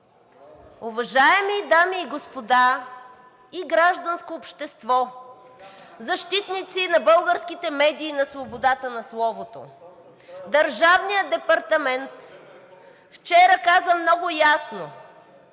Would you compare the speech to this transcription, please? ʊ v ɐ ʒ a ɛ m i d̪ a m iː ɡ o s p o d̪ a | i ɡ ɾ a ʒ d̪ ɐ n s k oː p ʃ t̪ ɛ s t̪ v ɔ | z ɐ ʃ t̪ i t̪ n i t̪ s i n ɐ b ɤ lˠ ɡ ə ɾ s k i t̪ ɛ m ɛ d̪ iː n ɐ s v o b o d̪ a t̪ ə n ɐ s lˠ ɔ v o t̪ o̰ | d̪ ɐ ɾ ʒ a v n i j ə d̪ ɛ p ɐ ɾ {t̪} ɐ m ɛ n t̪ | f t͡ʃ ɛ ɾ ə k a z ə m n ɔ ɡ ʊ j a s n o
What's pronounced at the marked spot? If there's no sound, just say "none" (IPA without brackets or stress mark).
t̪